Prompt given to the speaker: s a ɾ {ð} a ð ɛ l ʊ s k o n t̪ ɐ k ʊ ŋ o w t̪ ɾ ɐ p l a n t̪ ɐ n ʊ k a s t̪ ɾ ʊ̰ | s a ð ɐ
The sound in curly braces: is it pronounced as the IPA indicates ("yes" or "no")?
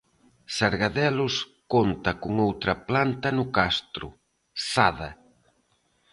no